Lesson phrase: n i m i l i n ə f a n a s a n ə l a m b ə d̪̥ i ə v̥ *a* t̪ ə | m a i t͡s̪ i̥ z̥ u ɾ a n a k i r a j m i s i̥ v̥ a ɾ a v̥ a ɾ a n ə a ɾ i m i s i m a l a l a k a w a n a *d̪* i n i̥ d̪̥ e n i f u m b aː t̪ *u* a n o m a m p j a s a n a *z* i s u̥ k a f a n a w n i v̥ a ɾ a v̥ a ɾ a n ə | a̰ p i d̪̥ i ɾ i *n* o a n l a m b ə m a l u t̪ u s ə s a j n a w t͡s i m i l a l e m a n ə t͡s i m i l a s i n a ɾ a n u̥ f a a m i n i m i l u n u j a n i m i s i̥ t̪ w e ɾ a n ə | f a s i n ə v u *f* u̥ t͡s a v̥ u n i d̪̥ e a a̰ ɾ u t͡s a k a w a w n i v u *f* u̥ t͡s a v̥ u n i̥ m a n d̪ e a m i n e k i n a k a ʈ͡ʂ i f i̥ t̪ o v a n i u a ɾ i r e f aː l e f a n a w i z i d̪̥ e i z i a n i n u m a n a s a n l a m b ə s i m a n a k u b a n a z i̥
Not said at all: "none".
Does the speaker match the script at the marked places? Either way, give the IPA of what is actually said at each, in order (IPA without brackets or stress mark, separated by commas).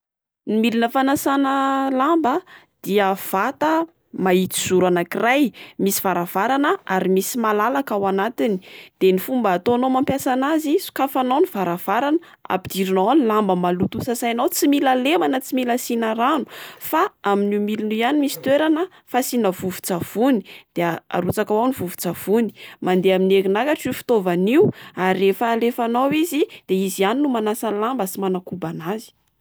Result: a, t̪, o, z, n, v, v